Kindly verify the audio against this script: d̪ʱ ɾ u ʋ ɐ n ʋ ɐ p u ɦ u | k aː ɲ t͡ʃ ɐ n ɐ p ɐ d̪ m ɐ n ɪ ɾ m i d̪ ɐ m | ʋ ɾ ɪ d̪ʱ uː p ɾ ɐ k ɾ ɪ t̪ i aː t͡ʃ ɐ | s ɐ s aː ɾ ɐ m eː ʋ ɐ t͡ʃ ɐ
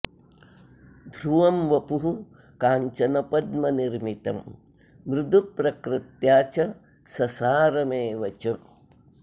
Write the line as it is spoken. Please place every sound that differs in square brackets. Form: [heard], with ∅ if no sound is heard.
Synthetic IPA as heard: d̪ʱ ɾ u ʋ ɐ [m] ʋ ɐ p u ɦ u | k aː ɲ t͡ʃ ɐ n ɐ p ɐ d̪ m ɐ n [i] ɾ m i [t̪] ɐ m | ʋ ɾ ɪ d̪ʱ [u] p ɾ ɐ k ɾ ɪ t̪ [j] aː t͡ʃ ɐ | s ɐ s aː ɾ ɐ m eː ʋ ɐ t͡ʃ ɐ